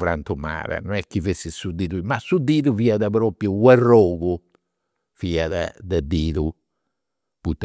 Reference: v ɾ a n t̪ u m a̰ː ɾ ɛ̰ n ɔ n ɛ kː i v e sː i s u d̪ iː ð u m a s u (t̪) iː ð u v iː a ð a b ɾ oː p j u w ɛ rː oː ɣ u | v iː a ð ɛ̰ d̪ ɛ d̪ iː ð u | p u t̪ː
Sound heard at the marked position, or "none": d̪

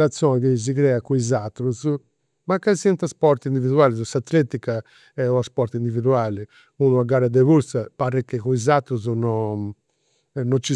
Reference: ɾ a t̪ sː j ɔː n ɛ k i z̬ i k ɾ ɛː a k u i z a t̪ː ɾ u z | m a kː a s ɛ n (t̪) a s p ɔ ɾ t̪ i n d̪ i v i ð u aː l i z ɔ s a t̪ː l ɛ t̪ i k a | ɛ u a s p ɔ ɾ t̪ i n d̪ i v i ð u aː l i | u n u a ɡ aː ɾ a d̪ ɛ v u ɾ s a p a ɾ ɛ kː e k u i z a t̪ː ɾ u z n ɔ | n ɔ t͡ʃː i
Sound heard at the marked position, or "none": t̪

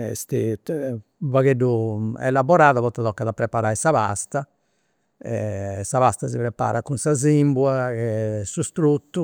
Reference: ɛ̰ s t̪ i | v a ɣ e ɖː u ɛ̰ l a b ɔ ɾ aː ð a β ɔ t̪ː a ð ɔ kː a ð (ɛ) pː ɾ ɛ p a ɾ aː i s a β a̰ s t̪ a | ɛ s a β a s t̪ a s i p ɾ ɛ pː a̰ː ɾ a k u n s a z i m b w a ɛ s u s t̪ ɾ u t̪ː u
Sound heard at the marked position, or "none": a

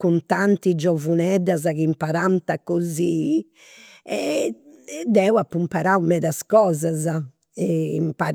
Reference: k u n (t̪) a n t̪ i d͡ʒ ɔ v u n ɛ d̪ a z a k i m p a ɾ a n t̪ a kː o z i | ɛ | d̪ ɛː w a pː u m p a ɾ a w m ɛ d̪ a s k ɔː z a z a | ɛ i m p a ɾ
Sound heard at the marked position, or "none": t̪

